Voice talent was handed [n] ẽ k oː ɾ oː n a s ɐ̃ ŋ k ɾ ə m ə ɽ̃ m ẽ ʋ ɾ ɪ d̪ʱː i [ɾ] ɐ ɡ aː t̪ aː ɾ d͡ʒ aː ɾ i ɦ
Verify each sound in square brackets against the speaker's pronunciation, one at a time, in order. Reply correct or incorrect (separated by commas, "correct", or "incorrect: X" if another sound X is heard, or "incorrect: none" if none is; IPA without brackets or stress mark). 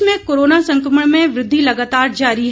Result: incorrect: m, incorrect: l